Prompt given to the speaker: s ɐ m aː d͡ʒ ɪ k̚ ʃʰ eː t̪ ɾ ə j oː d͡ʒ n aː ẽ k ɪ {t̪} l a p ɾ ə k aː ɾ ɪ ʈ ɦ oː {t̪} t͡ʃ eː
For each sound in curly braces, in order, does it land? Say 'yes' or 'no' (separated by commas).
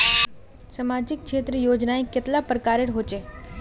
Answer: yes, no